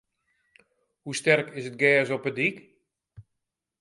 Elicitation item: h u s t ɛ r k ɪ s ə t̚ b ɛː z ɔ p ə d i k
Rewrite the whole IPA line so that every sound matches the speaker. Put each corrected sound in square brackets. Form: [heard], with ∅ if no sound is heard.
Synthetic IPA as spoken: h u s t ɛ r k ɪ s ə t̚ [ɡ] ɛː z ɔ p ə d i k